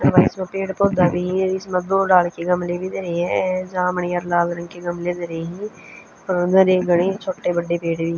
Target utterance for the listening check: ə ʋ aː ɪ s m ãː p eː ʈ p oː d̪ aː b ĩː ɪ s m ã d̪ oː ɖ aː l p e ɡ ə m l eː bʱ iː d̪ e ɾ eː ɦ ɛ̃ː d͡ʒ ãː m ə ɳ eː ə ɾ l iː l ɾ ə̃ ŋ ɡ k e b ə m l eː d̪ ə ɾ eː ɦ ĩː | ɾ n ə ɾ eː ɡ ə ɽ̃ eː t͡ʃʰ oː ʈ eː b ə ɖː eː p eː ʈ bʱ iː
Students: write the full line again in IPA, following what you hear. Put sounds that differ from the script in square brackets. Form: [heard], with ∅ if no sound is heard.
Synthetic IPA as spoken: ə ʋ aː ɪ s m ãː p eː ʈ p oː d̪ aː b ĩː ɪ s m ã d̪ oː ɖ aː l [k] e ɡ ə m l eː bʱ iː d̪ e ɾ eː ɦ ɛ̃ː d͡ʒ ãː m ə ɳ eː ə ɾ l [aː] l ɾ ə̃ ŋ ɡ k e [ɡ] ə m l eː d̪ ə ɾ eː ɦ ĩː | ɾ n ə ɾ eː ɡ ə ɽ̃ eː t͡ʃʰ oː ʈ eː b ə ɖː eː p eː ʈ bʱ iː